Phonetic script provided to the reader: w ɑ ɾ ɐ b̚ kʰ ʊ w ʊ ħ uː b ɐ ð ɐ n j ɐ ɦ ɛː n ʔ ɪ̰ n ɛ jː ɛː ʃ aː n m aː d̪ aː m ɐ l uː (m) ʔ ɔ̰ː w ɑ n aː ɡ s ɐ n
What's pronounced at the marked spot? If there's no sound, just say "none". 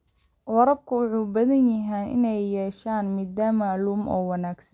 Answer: m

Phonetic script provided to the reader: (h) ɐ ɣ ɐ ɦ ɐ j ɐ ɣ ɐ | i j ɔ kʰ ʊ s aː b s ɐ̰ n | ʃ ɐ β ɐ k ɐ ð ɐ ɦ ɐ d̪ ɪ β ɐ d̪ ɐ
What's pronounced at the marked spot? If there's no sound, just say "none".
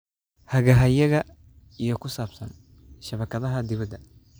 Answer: h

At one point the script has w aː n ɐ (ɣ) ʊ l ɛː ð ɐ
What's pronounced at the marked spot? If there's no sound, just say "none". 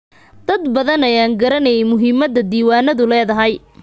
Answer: ð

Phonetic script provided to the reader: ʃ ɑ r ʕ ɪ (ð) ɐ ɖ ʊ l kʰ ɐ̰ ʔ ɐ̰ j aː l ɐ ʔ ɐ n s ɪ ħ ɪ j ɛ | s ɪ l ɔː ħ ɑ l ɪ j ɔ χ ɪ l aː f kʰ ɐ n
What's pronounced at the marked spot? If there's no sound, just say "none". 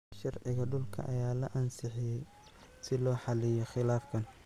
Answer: ɣ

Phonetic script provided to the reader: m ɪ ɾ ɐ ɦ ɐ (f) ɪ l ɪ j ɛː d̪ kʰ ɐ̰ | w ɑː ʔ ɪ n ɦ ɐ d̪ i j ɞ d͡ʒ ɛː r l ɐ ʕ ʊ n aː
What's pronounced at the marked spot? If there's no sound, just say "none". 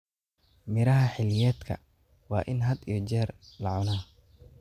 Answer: ħ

